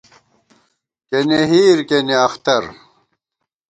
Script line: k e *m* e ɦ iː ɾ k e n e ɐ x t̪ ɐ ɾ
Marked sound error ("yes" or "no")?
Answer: yes